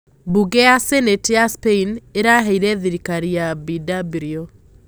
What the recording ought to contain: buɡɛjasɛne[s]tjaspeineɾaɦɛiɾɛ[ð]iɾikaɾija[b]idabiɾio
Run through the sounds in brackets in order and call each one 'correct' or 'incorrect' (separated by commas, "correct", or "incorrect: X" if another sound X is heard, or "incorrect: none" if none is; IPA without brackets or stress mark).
incorrect: none, correct, correct